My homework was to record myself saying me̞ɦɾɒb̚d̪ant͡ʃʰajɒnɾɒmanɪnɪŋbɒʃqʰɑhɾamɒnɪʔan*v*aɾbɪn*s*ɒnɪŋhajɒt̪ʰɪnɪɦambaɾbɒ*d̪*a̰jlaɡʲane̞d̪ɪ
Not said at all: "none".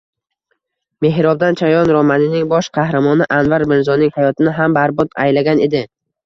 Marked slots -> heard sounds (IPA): v, z, t̪

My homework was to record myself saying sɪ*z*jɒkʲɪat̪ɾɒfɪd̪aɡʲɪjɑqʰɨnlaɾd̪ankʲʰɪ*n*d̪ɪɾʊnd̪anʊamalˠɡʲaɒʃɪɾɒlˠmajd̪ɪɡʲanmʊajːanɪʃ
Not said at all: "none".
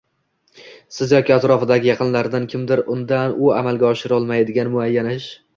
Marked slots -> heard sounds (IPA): z, m

